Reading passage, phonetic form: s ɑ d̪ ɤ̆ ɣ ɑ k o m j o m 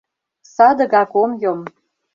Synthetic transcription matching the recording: s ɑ d̪ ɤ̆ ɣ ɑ k o m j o m